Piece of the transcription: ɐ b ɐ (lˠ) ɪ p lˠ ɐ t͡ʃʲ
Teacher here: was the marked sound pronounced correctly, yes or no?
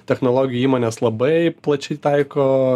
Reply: no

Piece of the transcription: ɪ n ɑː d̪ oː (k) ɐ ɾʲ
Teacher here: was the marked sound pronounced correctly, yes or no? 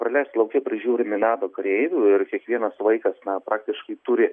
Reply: yes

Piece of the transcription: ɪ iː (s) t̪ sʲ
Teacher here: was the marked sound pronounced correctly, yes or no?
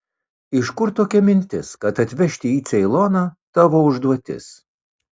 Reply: no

